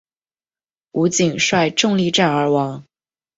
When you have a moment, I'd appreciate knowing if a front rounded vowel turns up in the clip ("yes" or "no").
no